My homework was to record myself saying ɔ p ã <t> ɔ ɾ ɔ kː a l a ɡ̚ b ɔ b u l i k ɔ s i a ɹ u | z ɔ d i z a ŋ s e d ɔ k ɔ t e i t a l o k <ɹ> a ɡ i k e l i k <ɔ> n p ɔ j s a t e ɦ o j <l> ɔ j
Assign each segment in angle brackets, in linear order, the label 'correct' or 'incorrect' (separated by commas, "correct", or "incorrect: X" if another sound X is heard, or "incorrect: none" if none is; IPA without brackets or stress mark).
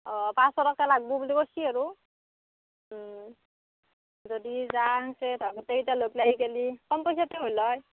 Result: incorrect: s, incorrect: l, correct, correct